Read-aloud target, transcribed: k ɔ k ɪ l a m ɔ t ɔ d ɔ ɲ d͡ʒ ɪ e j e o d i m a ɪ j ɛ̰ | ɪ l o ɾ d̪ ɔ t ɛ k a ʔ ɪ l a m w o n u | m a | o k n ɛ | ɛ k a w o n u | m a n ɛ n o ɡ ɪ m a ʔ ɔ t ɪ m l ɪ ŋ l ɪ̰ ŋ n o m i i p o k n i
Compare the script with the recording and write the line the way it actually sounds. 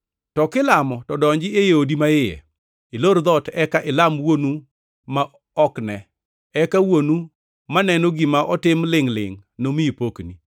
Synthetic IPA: t ɔ k ɪ l a m ɔ t ɔ d ɔ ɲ d͡ʒ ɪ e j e o d i m a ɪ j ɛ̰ | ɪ l o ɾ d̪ ɔ t ɛ k a ʔ ɪ l a m w o n u | m a | ɔ k n ɛ | ɛ k a w o n u | m a n ɛ n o ɡ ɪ m a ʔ ɔ t ɪ m l ɪ ŋ l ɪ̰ ŋ n o m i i p o k n i